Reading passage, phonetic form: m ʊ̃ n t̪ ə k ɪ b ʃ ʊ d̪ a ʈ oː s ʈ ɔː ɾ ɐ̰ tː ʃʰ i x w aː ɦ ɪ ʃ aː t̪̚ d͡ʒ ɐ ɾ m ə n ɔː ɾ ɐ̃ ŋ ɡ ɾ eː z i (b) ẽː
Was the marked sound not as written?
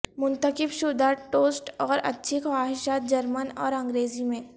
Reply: yes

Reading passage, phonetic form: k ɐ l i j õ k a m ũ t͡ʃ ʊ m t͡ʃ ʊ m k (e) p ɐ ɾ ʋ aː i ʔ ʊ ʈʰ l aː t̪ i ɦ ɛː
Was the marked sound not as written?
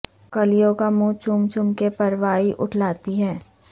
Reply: no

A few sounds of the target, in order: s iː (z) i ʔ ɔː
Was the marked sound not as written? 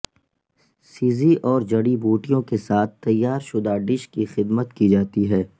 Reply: no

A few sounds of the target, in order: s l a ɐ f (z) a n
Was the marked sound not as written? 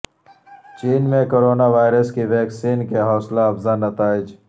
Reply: no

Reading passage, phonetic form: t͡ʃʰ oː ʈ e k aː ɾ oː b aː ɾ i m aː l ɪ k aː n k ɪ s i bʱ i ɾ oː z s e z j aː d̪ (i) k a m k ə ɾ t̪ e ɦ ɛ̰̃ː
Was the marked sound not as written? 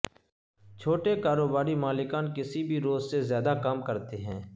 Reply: yes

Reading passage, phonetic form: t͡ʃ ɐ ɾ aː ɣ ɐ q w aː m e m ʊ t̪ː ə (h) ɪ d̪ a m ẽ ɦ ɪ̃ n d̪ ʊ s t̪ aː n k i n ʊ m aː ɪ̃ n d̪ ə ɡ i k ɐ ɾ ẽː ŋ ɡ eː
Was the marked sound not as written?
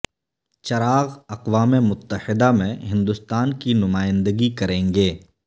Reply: no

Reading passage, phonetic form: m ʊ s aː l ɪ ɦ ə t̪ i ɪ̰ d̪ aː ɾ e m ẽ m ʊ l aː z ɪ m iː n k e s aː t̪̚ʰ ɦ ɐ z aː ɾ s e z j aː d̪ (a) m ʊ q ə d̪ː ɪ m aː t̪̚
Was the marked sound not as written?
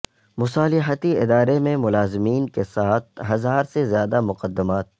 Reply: no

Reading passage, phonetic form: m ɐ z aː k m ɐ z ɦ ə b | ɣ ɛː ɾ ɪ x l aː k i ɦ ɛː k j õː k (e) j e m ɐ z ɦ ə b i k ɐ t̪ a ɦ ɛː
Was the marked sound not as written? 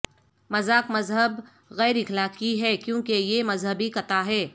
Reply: no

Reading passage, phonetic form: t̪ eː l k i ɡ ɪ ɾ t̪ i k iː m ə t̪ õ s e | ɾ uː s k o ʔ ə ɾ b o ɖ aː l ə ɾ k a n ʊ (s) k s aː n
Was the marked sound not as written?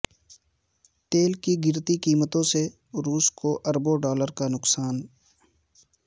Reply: yes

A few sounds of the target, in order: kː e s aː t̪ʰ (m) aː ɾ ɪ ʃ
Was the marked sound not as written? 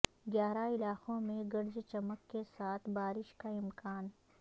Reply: yes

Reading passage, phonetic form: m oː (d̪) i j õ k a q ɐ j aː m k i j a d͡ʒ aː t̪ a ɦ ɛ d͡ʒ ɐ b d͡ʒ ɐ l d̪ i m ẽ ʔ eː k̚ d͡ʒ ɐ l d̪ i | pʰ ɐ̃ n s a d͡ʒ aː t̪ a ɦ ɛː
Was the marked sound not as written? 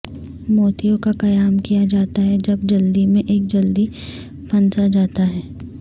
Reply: yes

